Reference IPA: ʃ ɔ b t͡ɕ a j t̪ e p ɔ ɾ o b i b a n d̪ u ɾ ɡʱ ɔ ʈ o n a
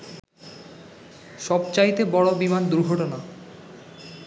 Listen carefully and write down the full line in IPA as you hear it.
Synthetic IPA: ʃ ɔ b t͡ɕ a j t̪ e b ɔ ɽ o b i m a n d̪ u ɾ ɡʱ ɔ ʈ o n a